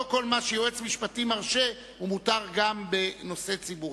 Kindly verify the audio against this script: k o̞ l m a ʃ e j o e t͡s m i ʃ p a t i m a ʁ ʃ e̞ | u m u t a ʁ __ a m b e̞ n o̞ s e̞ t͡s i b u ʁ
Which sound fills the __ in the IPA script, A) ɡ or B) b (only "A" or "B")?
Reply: A